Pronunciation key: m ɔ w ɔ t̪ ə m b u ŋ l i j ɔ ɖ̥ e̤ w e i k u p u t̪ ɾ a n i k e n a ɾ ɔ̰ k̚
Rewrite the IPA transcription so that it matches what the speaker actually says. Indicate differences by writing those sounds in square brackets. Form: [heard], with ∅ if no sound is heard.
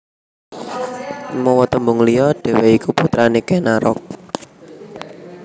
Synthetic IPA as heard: m ɔ w ɔ t̪ ə m b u ŋ l i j ɔ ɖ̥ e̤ w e i k u p u t̪ ɾ a n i k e n a ɾ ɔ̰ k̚